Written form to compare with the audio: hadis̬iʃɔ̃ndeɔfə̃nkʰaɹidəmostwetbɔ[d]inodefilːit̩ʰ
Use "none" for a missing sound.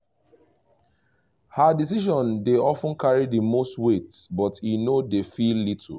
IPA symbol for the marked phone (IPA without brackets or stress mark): t